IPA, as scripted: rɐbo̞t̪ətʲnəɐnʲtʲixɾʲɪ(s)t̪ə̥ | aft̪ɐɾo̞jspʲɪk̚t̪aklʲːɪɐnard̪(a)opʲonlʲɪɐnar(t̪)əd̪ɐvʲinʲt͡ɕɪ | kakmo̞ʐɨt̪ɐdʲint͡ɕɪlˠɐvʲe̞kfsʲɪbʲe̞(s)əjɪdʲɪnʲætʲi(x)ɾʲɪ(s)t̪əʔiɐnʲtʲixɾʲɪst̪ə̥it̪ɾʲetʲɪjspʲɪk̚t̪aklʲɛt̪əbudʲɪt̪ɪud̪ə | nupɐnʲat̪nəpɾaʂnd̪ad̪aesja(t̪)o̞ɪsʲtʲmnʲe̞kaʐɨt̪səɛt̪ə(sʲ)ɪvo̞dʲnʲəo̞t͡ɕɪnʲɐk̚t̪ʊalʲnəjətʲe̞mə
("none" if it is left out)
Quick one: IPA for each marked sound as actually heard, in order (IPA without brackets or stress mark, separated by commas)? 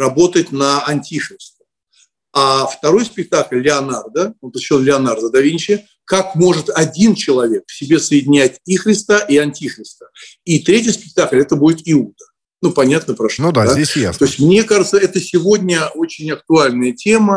s, ə, d̪, s, x, s, t̪, sʲ